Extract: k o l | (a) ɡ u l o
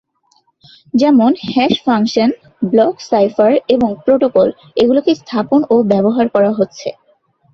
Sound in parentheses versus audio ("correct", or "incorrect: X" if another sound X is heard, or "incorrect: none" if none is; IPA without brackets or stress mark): incorrect: e